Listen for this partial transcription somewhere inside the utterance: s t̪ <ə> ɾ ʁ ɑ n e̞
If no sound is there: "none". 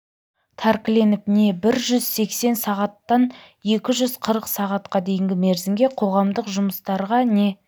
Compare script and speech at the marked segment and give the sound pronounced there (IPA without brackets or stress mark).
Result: ɑ